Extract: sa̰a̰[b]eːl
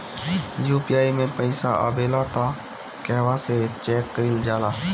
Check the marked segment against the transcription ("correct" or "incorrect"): correct